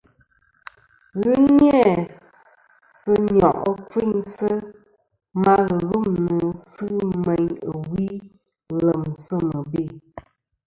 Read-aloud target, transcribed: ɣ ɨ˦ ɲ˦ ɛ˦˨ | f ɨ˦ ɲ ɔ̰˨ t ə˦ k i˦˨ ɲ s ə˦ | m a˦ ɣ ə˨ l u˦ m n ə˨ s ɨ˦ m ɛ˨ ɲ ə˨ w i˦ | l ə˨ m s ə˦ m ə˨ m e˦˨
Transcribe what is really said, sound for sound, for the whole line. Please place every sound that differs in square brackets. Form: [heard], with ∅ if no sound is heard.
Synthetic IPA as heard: ɣ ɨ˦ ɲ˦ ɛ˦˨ | [s] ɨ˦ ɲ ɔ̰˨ [ʔ] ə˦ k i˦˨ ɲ s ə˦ | m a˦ ɣ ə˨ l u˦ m n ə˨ s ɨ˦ m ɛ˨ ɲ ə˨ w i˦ | l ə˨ m s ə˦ m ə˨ [b] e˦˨